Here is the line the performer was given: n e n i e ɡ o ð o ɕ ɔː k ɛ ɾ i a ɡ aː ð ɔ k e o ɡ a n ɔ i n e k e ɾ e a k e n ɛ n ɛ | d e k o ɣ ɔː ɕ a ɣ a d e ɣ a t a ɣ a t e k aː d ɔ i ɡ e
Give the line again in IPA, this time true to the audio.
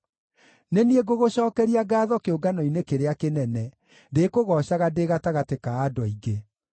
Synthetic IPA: n e n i e ɡ o ɣ o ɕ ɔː k ɛ ɾ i a ɡ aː ð ɔ k e o ɡ a n ɔ i n e k e ɾ e a k e n ɛ n ɛ | d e k o ɣ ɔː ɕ a ɣ a d e ɣ a t a ɣ a t e k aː d ɔ i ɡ e